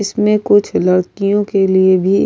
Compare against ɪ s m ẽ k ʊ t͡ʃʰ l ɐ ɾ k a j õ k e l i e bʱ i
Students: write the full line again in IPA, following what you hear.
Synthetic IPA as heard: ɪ s m ẽ k ʊ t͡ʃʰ l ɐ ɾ k i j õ k e l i e bʱ i